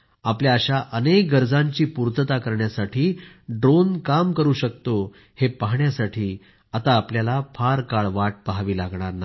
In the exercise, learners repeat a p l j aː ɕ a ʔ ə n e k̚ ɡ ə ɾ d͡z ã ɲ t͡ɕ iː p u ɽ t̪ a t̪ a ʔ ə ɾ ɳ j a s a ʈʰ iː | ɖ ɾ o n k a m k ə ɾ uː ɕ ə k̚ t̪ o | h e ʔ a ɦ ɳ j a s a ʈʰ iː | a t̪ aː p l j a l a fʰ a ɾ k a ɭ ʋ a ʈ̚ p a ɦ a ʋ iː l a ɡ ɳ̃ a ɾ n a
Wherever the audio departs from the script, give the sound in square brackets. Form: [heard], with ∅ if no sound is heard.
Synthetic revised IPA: a p l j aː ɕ a ʔ ə n e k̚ ɡ ə ɾ d͡z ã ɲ t͡ɕ iː p u [ɾ] t̪ [ə] t̪ a [k] ə ɾ ɳ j a s a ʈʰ iː | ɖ ɾ o n k a m k ə ɾ uː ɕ ə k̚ t̪ o | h e [p] a ɦ ɳ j a s a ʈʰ iː | a t̪ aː p l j a l a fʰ a ɾ k a ɭ ʋ a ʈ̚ p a ɦ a ʋ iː l a ɡ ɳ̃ a ɾ n a